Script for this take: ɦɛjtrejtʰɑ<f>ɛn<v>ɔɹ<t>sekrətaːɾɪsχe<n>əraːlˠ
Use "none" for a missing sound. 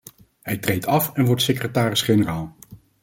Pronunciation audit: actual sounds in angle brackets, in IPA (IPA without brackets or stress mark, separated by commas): f, ʋ, t, n